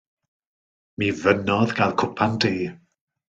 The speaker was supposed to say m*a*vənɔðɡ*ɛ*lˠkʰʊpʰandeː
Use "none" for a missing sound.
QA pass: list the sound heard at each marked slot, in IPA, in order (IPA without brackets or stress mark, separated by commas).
i, a